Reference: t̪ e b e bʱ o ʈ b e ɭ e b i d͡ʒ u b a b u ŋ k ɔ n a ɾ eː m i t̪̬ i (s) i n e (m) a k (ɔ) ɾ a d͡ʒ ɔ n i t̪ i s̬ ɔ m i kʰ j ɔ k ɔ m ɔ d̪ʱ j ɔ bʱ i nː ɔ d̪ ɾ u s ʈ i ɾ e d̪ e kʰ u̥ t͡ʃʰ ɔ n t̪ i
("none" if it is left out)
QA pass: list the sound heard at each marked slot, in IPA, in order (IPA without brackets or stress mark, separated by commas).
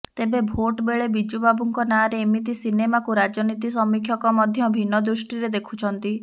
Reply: s, m, u